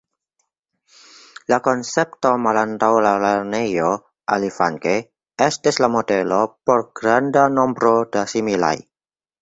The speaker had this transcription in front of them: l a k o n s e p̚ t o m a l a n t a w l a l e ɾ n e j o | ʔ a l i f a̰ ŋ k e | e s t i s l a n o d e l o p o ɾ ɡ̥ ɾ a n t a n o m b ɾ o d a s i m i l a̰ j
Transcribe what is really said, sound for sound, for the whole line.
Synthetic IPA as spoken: l a k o n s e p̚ t o m a l a n t a w l a l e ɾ n e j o | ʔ a l i f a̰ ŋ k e | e s t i s l a m o d e l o p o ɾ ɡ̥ ɾ a n d a n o m b ɾ o d a s i m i l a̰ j